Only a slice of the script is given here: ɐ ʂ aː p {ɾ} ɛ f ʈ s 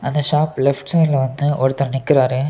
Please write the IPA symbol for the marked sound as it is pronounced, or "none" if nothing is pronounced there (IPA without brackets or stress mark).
l